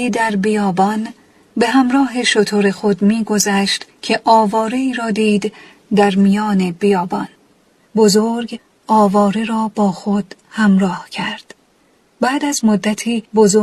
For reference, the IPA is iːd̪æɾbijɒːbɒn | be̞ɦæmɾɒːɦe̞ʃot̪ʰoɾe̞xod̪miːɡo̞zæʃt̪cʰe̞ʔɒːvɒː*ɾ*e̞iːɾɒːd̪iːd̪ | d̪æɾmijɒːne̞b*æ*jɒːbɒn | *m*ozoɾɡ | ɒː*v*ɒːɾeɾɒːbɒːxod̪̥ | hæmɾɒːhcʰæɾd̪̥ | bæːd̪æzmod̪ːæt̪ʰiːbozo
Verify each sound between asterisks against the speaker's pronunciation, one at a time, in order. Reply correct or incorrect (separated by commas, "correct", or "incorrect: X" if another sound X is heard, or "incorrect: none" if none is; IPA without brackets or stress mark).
correct, incorrect: i, incorrect: b, correct